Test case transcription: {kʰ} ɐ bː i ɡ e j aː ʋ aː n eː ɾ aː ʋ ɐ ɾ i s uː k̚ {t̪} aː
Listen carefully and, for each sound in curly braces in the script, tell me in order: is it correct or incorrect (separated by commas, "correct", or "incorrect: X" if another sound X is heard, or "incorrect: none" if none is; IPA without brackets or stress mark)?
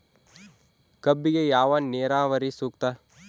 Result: incorrect: k, correct